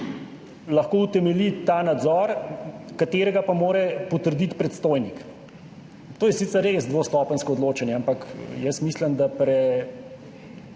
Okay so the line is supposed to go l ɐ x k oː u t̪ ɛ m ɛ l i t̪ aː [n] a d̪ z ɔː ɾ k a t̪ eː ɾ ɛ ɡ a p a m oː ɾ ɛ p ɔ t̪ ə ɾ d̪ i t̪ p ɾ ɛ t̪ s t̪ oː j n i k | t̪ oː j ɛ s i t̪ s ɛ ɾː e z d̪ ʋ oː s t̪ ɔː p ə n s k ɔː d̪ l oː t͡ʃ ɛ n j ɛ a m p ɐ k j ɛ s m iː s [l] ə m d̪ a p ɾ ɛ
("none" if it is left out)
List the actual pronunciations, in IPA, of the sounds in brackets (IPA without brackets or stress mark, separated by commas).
n, l